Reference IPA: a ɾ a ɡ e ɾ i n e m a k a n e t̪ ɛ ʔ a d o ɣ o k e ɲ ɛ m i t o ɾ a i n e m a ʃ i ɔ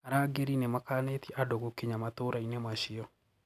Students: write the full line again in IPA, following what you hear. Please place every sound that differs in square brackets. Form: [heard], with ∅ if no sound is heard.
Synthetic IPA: a ɾ a ɡ e ɾ i n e m a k a n e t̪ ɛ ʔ a d o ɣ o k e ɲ [a] m [a] t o ɾ a i n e m a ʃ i ɔ